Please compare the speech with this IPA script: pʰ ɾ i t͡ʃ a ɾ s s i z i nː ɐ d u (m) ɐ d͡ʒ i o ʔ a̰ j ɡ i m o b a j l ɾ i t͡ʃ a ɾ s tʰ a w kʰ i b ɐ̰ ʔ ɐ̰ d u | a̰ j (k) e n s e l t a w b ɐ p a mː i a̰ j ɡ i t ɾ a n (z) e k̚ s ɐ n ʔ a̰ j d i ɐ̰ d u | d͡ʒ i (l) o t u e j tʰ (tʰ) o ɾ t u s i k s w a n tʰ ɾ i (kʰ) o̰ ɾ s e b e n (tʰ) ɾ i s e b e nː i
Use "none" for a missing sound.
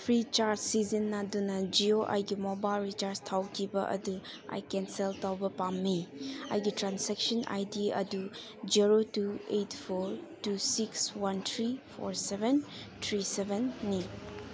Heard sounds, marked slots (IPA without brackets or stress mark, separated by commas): n, k, s, ɾ, pʰ, pʰ, tʰ